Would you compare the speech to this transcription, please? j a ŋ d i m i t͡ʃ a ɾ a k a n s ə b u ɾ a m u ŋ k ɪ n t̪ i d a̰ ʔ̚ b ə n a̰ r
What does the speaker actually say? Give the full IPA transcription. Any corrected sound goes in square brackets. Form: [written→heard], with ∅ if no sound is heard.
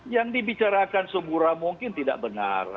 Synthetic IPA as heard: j a ŋ d i [m→b] i t͡ʃ a ɾ a k a n s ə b u ɾ a m u ŋ k ɪ n t̪ i d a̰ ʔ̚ b ə n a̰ r

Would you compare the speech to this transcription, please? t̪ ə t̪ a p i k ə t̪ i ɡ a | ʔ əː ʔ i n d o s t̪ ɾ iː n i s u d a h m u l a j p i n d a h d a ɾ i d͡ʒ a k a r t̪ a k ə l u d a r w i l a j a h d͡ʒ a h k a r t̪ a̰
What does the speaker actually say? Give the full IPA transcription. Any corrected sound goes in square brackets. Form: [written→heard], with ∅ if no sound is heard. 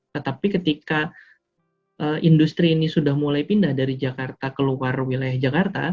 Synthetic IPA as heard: t̪ ə t̪ a p i k ə t̪ i [ɡ→k] a | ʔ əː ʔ i n d [o→u] s t̪ ɾ iː n i s u d a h m u l a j p i n d a h d a ɾ i d͡ʒ a k a r t̪ a k ə l u [d→∅] a r w i l a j a h d͡ʒ a [h→∅] k a r t̪ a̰

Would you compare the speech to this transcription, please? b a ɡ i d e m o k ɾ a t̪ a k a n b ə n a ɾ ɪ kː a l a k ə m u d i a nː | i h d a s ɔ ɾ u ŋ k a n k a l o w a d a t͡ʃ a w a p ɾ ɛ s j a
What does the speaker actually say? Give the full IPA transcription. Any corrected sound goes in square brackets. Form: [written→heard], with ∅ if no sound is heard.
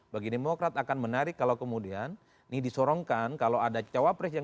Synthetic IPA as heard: b a ɡ i d e m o k ɾ a t̪ a k a n [b→m] ə n a ɾ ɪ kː a l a k ə m u d i a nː | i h d [a→i] s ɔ ɾ [u→ɔ] ŋ k a n k a l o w a d a t͡ʃ a w a p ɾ ɛ s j a

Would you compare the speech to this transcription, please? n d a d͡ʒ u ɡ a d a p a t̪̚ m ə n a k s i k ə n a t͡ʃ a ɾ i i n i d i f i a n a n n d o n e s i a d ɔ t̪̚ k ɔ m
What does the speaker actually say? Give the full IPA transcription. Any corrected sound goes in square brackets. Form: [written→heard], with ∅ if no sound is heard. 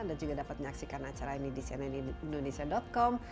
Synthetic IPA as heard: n d a d͡ʒ u ɡ a d a p a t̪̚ m ə [n→ɲ] a k s i k [ə→a] n a t͡ʃ a ɾ [i→a] i n i d i [f→s] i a n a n n d o n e s i a d ɔ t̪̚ k ɔ m

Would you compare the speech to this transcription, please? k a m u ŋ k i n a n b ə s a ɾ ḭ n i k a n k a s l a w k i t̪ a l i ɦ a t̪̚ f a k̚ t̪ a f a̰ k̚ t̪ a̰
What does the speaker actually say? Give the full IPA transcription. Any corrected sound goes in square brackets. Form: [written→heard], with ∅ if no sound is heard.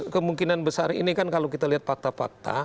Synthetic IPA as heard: k [a→ə] m u ŋ k i n a n b ə s a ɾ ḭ n i k a n k a [s→∅] l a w k i t̪ a l i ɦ a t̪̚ f a k̚ t̪ a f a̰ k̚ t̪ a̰

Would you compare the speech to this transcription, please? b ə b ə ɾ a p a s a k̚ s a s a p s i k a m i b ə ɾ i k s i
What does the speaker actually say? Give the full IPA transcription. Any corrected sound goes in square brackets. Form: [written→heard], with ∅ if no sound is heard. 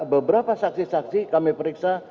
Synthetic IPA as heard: b ə b ə ɾ a p a s a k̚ s [a→i] s a [p→k] s i k a m i [b→p] ə ɾ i k s [i→a]

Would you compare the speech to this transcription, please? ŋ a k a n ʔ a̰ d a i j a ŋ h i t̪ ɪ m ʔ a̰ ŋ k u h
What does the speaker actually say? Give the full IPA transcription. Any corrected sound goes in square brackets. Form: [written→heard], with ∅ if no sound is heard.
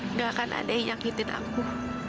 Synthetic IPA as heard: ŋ a k a n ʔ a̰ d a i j a ŋ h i t̪ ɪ [m→n] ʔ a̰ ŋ k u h

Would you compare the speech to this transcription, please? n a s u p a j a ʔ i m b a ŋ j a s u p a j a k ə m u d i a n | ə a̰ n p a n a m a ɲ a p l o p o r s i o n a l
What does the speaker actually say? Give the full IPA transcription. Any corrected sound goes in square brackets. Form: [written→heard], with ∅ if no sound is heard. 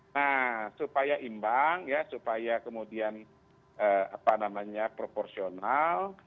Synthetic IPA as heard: n a s u p a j a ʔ i m b a ŋ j a s u p a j a k ə m u d i a n | ə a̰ [n→∅] p a n a m a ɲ a p [l→ɾ] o p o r s i o n a l

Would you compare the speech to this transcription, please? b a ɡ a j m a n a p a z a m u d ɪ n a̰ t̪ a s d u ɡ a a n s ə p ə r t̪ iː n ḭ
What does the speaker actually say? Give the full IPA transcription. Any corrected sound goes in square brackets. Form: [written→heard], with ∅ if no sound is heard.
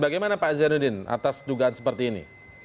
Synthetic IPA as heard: b a ɡ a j m a n a p a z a [m→n] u d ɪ n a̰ t̪ a s d u ɡ a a n s ə p ə r t̪ iː n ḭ

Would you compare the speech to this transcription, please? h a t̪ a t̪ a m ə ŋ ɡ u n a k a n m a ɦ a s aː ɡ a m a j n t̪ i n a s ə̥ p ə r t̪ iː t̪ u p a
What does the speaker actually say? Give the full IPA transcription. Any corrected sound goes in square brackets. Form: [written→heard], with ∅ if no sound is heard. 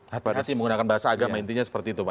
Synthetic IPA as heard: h a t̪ a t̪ [a→i] m ə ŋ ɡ u n a k a n [m→b] a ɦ a s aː ɡ a m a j n t̪ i [n→ɲ] a s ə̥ p ə r t̪ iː t̪ u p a

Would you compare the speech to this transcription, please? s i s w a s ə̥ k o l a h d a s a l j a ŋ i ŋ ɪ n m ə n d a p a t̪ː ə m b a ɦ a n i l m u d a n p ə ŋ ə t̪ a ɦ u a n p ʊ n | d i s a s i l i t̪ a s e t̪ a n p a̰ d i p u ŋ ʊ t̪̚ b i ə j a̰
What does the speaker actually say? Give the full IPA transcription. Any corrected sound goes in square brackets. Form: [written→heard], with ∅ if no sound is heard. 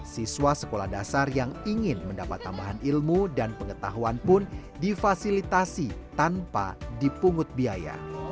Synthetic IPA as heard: s i s w a s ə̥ k o l a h d a s a [l→r] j a ŋ i ŋ ɪ n m ə n d a p a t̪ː [ə→a] m b a ɦ a n i l m u d a n p ə ŋ ə t̪ a ɦ u a n p ʊ n | d i [s→f] a s i l i t̪ a s [e→i] t̪ a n p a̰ d i p u ŋ ʊ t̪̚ b i [ə→a] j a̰

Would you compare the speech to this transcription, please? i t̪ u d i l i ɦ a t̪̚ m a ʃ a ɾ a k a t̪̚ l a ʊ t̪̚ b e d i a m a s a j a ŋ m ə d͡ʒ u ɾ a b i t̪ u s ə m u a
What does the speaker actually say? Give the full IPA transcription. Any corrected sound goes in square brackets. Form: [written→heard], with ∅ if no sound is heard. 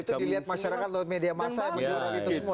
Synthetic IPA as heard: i t̪ u d i l i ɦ a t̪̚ m a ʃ a ɾ a k a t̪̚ l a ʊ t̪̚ [b→m] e d i a m a s a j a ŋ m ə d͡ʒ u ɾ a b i t̪ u s ə m u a

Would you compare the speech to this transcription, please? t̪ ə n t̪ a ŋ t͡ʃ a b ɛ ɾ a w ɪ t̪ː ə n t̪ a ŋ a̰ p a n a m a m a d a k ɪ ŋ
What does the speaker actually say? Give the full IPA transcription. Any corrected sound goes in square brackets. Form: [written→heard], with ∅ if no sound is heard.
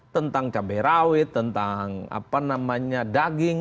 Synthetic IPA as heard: t̪ ə n t̪ a ŋ t͡ʃ a b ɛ ɾ a w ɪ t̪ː ə n t̪ a ŋ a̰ p a n a m a [m→ɲ] a d a [k→ɡ] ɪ ŋ

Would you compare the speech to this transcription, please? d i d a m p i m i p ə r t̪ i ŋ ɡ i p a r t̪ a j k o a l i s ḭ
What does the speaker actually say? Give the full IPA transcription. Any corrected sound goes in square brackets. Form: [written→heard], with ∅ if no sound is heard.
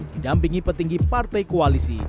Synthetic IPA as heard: d i d a m p i [m→ŋ] i p ə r t̪ i ŋ ɡ i p a r t̪ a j k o a l i s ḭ

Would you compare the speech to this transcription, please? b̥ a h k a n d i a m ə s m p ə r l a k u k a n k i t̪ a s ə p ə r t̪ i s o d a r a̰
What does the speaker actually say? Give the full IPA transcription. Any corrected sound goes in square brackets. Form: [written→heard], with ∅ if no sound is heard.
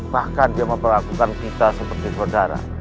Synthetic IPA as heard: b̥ a h k a n d i a m ə [s→∅] m p ə r l a k u k a n k i t̪ a s ə p ə r t̪ i s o d a [r→ɾ] a̰

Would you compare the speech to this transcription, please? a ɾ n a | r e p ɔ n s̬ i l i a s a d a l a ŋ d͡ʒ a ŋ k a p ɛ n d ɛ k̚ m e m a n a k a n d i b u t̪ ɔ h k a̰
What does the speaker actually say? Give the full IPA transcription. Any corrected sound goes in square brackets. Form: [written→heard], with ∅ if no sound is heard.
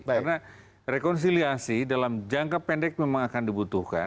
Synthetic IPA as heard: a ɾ n a | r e [p→k] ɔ n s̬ i l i a s [a→i] d a l a [ŋ→m] d͡ʒ a ŋ k a p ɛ n d ɛ k̚ m e m a [n→ŋ] a k a n d i b u t̪ [ɔ→u] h k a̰

